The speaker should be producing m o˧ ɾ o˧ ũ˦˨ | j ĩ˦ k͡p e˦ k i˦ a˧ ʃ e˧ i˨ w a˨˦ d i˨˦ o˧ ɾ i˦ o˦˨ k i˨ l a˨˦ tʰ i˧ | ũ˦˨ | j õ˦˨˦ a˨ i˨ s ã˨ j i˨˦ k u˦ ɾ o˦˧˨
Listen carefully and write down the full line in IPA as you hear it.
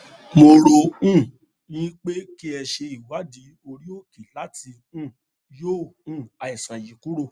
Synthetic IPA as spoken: m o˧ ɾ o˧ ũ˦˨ | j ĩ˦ k͡p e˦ k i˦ ɛ˧ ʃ e˧ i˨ w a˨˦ d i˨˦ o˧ ɾ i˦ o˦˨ k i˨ l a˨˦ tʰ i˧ | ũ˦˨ | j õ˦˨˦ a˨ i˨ s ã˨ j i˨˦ k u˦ ɾ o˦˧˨